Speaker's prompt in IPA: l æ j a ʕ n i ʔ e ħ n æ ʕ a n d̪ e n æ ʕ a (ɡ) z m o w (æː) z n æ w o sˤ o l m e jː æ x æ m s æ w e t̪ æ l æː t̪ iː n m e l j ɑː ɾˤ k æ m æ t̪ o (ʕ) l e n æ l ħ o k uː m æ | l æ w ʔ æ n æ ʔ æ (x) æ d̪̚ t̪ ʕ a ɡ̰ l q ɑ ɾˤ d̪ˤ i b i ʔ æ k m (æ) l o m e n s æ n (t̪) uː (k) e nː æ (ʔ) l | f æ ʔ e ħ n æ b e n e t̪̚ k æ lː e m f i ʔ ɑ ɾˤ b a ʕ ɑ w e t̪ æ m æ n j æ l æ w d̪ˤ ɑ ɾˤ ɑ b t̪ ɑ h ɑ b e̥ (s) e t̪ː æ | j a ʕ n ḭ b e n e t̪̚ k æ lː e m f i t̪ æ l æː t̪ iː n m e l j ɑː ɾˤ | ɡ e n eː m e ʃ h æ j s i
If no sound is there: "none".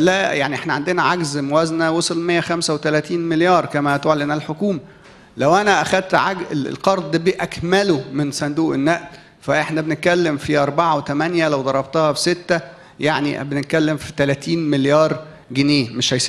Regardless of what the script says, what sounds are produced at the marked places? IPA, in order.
ɡ, æ, ʕ, x, æ, d̪, ʔ, ʔ, s

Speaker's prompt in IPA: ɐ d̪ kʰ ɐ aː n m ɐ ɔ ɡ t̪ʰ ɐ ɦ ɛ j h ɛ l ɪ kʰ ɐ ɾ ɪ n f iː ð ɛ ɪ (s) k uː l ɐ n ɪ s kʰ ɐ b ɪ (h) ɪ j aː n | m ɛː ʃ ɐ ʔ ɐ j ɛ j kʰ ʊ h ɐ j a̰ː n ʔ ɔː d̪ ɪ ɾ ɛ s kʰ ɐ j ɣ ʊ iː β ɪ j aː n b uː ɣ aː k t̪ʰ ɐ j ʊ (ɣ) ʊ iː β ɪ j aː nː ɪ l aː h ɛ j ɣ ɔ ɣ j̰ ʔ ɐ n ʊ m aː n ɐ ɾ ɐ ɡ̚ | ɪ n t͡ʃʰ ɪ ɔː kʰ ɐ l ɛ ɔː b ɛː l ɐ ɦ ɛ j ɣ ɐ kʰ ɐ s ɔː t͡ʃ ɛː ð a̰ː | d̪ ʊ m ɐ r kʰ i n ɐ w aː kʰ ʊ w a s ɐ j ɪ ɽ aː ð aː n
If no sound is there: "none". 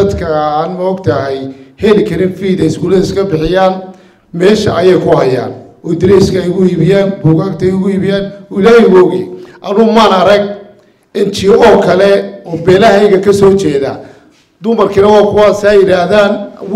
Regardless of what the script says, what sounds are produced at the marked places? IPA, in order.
s, ħ, ɣ

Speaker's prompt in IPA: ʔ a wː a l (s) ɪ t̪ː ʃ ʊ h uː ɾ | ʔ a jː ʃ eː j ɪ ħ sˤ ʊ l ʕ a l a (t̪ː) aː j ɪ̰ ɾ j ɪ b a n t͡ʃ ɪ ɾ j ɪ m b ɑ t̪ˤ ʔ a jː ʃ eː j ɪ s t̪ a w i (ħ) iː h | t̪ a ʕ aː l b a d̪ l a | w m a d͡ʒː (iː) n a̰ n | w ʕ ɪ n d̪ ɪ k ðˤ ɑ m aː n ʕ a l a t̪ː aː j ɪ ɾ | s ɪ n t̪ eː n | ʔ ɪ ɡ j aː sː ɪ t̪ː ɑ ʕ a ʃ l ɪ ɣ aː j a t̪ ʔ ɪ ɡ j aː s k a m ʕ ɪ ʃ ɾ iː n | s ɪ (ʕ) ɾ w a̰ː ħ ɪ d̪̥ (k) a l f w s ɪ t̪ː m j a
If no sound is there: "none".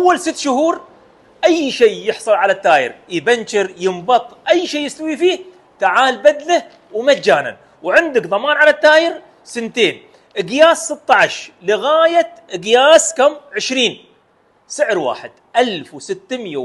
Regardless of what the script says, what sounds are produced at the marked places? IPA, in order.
s, t̪ː, f, aː, ʕ, ʔ

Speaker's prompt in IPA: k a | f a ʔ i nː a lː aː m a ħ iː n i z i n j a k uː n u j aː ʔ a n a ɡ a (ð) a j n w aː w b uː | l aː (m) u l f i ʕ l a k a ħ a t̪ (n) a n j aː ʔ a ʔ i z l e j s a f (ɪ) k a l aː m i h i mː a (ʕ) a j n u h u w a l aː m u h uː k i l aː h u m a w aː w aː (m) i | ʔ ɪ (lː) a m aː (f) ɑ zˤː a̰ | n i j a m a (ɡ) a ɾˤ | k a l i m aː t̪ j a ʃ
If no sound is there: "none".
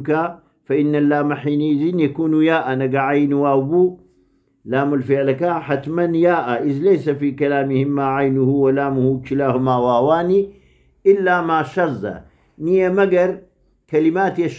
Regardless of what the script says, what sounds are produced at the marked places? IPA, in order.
ʕ, m, m, i, ʕ, n, lː, ʃ, ɡ

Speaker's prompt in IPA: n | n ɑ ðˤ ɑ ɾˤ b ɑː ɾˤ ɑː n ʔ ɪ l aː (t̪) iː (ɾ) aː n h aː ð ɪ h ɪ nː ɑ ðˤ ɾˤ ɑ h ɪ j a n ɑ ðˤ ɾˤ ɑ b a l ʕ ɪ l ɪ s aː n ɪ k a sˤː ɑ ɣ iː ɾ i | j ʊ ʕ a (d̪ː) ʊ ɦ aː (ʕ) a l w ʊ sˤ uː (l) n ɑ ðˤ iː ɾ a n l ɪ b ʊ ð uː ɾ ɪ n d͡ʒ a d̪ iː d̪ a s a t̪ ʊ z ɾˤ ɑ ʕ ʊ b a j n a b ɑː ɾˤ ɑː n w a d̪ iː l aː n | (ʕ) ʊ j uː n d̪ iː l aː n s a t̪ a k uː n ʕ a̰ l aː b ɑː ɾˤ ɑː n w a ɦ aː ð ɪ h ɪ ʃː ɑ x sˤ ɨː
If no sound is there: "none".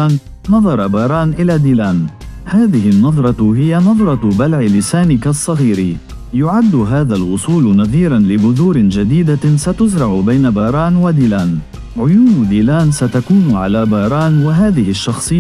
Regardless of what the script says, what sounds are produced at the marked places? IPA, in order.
d̪, l, d̪ː, ð, l, ʕ

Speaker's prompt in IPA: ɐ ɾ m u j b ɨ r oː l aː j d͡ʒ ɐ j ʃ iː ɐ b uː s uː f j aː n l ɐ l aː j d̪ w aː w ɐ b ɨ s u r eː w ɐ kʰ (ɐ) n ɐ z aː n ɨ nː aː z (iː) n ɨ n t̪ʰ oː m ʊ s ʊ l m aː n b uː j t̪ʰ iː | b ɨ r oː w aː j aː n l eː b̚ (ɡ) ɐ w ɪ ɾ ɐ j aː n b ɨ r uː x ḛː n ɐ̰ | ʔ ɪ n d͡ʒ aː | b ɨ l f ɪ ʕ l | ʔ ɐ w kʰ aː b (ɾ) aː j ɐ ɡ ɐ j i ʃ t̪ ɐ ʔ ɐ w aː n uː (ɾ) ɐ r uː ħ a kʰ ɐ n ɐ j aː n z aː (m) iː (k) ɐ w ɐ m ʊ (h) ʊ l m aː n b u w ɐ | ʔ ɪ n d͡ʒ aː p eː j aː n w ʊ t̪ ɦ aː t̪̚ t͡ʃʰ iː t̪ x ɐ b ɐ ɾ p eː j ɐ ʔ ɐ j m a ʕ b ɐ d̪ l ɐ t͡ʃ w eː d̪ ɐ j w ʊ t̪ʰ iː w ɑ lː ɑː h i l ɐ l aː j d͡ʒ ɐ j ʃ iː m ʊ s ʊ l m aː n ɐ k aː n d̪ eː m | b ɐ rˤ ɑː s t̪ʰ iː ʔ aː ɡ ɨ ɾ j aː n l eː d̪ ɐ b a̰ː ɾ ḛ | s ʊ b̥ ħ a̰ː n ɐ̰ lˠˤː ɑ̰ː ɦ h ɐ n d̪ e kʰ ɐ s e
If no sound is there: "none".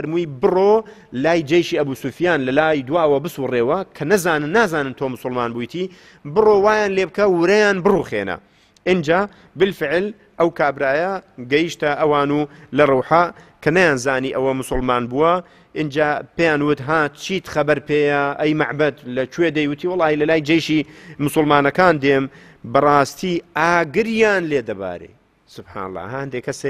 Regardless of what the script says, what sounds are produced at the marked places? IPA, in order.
ɐ, aː, k, ɾ, l, n, ʔ, s

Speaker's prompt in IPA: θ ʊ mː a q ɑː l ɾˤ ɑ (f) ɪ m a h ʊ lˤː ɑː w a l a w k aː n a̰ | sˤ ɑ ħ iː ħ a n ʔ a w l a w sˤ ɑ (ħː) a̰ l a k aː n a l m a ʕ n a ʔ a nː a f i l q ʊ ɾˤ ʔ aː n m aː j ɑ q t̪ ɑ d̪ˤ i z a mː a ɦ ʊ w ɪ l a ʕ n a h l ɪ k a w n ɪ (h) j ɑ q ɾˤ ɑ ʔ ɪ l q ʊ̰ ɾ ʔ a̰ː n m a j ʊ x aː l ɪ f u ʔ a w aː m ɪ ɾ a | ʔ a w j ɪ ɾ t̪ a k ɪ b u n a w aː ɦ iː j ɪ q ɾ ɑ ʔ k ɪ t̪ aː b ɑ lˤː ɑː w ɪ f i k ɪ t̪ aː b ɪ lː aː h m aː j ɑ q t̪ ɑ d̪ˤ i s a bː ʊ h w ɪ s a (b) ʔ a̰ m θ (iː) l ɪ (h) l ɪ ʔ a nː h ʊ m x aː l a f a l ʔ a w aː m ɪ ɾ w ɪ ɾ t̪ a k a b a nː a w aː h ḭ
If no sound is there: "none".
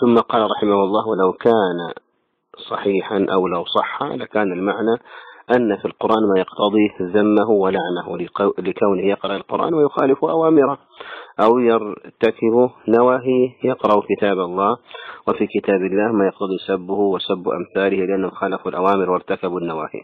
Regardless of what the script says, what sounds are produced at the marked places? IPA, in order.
ħ, ħː, h, bː, aː, h

